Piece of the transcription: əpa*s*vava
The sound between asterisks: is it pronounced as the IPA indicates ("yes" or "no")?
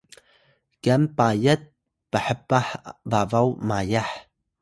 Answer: no